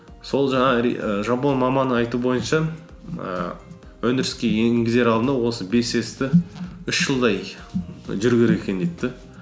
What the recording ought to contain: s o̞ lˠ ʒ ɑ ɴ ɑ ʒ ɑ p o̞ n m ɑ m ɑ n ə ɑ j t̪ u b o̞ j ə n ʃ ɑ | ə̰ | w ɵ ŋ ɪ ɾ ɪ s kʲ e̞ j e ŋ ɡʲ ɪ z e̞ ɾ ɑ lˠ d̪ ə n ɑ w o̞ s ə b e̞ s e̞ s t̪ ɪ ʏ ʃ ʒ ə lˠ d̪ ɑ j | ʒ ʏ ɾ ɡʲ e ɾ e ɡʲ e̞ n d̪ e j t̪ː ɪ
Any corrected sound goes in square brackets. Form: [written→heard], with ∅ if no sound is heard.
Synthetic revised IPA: s o̞ lˠ ʒ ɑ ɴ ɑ ʒ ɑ p o̞ n m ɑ m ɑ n ə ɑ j t̪ u b o̞ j ə n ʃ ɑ | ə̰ | w ɵ [ŋ→n] ɪ ɾ ɪ s kʲ e̞ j e ŋ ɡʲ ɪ z e̞ ɾ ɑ lˠ d̪ ə n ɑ w o̞ s ə b e̞ s e̞ s t̪ ɪ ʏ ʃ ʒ ə lˠ d̪ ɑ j | ʒ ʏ ɾ ɡʲ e ɾ e [ɡʲ→kʲ] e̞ n d̪ e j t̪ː ɪ